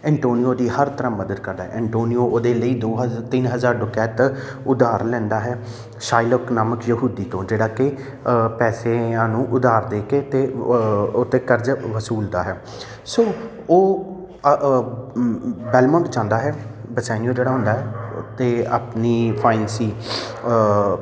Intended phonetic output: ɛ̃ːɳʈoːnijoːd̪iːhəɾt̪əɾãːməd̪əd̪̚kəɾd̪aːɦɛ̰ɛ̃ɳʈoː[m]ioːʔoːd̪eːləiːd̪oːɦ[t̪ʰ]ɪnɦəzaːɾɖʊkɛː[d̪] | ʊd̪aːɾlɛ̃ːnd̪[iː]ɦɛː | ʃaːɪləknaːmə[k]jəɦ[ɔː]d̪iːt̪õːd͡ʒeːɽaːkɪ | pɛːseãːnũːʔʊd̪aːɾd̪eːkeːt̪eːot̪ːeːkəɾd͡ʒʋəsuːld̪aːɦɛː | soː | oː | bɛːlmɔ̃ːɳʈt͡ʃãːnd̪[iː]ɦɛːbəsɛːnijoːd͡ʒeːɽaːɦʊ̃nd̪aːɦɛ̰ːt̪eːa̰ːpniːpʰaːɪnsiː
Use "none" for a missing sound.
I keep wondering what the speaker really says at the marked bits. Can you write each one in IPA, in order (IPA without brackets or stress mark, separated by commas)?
n, t̪, t̪, aː, k, uː, aː